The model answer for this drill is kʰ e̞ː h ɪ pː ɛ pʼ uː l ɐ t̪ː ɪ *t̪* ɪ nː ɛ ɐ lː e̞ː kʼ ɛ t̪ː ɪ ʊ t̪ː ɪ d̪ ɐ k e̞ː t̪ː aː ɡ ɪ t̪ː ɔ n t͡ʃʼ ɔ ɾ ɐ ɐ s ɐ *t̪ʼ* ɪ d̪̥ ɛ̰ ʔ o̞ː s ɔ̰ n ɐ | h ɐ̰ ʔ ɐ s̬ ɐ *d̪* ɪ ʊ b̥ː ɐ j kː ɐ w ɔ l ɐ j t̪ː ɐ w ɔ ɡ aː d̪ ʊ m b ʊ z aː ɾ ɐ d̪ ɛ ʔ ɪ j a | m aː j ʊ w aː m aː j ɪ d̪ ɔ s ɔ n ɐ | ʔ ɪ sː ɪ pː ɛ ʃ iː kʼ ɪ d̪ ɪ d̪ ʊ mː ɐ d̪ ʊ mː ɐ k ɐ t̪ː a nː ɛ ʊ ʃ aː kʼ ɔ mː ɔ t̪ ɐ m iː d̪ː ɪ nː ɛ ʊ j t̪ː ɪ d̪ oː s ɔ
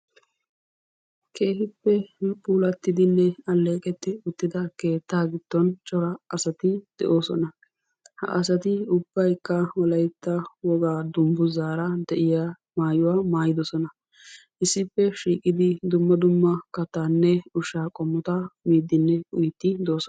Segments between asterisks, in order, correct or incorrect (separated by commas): incorrect, incorrect, incorrect